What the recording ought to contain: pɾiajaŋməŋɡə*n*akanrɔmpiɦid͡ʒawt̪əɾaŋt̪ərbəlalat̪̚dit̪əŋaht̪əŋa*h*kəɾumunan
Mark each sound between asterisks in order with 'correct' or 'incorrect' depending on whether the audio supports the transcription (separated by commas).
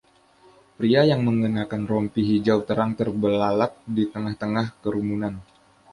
correct, correct